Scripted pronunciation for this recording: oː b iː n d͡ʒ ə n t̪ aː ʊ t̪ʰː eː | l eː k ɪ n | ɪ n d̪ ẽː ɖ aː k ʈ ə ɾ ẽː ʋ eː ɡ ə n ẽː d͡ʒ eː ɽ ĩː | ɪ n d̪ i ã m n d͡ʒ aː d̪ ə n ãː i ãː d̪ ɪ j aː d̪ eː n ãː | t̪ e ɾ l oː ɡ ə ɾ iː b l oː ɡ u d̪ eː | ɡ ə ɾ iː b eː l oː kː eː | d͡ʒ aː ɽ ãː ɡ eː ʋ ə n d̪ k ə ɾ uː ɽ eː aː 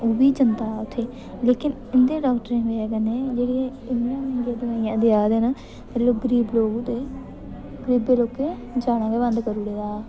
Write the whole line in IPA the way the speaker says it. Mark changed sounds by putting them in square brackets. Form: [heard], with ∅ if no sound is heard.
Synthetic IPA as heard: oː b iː [∅] d͡ʒ ə n t̪ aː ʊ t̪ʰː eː | l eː k ɪ n | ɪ n d̪ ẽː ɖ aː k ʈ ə ɾ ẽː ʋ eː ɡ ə n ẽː d͡ʒ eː ɽ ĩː | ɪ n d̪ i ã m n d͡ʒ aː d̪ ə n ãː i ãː d̪ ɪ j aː d̪ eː n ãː | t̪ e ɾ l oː ɡ ə ɾ iː b l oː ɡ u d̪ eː | ɡ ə ɾ iː b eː l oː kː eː | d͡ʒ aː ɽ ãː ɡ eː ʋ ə n d̪ k ə ɾ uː ɽ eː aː